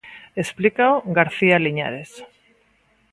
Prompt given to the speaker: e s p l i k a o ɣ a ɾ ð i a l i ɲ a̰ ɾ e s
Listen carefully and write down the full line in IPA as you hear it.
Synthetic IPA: e s p l i k a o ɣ a ɾ θ i a l i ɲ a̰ ɾ e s